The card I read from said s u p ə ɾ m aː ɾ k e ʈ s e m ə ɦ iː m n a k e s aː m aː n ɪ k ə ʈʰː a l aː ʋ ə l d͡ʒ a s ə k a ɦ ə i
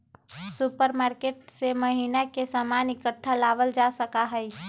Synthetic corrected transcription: s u p ə ɾ m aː ɾ k e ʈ s e m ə ɦ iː n a k e s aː m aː n ɪ k ə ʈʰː a l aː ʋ ə l d͡ʒ a s ə k a ɦ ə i